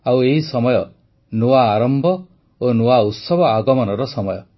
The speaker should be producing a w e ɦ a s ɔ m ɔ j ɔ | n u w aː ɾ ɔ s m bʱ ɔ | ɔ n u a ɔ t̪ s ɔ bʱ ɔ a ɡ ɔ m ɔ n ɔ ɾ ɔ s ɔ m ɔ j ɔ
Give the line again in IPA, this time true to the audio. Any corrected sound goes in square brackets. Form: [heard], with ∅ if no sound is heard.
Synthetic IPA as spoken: a w e ɦ [i] s ɔ m ɔ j ɔ | n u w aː ɾ ɔ [∅] m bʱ ɔ | [o] n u a [u] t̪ s ɔ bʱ ɔ a ɡ ɔ m ɔ n ɔ ɾ ɔ s ɔ m ɔ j ɔ